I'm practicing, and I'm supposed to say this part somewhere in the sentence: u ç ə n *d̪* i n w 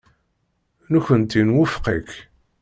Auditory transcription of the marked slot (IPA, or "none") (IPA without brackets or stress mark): t̪